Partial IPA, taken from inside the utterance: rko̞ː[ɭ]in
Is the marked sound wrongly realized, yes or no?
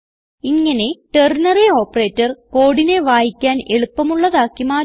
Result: yes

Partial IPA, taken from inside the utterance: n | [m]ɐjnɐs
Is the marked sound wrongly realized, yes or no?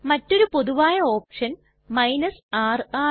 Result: no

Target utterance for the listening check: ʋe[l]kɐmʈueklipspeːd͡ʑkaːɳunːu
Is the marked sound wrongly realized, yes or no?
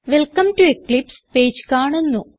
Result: no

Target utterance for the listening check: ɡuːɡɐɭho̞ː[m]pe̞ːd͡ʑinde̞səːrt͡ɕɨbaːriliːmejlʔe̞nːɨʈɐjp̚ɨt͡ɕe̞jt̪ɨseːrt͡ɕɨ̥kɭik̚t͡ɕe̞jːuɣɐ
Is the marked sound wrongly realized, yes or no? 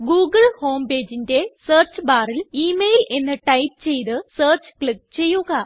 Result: no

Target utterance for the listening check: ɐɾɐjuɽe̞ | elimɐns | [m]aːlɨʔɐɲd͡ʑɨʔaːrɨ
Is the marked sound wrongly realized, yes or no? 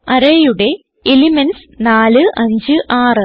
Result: yes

